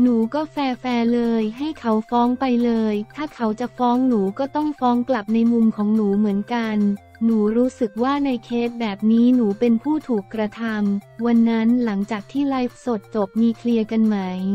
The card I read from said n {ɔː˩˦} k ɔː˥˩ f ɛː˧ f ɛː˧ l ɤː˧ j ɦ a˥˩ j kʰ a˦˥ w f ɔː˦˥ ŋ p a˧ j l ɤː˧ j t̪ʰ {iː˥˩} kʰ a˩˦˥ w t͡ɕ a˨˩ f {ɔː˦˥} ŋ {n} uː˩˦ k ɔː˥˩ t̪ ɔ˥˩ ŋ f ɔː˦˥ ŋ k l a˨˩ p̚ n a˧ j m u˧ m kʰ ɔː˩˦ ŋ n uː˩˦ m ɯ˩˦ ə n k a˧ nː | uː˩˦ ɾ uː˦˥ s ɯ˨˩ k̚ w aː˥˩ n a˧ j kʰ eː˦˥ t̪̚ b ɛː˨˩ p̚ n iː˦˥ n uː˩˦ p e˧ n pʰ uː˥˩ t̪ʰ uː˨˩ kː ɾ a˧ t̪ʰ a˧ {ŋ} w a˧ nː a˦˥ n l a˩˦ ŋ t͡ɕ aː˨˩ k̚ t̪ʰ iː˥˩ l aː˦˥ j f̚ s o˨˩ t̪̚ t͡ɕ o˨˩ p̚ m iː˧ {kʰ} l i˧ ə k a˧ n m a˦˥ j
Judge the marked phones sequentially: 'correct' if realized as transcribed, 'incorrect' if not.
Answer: incorrect: uː˩˦, incorrect: aː˥˩, correct, correct, incorrect: m, correct

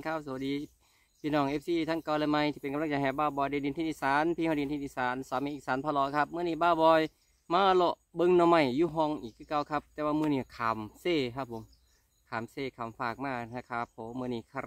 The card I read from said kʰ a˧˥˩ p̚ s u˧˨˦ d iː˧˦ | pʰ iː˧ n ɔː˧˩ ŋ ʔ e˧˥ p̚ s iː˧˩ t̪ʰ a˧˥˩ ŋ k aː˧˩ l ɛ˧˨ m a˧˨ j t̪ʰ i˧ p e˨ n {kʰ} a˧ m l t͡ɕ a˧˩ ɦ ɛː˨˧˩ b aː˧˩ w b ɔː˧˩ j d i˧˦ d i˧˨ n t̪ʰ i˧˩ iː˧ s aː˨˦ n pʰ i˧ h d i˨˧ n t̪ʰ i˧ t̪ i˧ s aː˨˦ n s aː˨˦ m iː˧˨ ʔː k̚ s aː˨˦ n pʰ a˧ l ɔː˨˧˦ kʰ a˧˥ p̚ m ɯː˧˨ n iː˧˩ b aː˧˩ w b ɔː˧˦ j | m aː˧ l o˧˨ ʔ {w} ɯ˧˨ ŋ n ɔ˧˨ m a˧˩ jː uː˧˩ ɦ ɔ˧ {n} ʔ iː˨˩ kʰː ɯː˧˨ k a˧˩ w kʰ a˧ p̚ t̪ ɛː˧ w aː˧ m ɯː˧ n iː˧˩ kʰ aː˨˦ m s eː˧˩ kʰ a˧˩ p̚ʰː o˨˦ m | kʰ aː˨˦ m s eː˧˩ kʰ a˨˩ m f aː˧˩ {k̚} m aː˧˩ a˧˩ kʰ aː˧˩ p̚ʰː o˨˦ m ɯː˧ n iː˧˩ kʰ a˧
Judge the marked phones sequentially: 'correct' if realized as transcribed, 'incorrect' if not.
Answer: incorrect: k, incorrect: b, incorrect: ŋ, correct

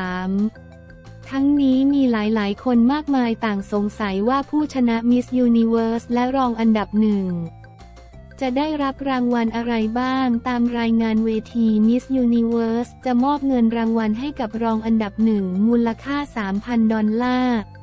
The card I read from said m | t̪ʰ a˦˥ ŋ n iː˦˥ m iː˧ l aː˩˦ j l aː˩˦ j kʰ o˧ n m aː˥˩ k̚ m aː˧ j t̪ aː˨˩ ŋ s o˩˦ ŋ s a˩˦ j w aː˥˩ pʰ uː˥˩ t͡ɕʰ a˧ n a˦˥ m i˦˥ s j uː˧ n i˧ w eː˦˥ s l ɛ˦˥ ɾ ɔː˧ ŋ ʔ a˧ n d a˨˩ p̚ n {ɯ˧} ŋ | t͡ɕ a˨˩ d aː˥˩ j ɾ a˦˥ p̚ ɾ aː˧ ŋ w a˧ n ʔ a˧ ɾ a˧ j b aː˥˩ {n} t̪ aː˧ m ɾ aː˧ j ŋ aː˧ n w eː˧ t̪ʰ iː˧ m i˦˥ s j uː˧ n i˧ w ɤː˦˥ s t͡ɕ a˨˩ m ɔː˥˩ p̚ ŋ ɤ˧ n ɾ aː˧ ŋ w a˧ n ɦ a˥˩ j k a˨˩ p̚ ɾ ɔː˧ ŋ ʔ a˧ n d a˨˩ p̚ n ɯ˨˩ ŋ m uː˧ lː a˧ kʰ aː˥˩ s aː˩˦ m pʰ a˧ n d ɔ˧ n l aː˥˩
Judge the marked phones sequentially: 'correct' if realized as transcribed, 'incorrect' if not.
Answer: incorrect: ɯ˨˩, incorrect: ŋ

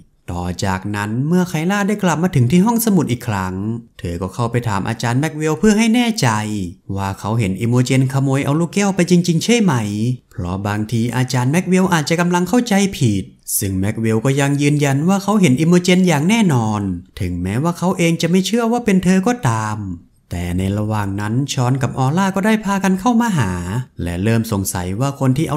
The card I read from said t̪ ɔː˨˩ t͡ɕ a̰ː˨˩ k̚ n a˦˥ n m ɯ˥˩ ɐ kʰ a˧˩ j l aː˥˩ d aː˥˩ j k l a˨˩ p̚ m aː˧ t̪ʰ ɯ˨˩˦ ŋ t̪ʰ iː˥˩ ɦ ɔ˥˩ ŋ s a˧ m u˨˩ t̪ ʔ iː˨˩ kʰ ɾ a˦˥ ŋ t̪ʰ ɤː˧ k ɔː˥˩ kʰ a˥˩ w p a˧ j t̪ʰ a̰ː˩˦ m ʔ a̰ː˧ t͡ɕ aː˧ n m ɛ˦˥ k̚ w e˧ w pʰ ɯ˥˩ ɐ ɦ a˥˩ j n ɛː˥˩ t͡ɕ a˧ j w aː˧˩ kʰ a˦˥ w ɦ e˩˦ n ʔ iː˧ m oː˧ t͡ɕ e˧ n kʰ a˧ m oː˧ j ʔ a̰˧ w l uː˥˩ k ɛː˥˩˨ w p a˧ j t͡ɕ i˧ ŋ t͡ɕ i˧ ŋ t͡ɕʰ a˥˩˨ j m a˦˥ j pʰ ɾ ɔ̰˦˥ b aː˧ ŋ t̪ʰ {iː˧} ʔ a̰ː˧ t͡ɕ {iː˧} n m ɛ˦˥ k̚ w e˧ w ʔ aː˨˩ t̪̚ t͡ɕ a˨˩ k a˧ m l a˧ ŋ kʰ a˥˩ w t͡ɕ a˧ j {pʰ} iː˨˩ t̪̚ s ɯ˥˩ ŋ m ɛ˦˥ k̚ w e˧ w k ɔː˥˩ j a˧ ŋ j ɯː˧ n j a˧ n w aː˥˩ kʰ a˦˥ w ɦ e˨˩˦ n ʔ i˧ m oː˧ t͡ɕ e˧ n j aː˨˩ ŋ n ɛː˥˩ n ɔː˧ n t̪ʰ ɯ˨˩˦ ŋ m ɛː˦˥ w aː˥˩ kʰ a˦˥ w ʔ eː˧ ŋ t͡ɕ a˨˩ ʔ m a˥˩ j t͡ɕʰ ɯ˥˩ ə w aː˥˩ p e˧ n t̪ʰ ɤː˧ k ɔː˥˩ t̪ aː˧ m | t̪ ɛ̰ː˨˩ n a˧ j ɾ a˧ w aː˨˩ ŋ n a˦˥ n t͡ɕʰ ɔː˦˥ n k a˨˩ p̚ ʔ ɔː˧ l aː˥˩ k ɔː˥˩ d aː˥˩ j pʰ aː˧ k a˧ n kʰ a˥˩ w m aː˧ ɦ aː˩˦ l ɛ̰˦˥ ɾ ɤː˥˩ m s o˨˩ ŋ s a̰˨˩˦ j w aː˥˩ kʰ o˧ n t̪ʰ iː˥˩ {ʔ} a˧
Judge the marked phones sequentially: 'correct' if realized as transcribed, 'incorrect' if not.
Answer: correct, incorrect: aː˧, correct, correct

